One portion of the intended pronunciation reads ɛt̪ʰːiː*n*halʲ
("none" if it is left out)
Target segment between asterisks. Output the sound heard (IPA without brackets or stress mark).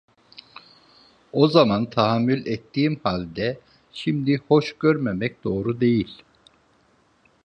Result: m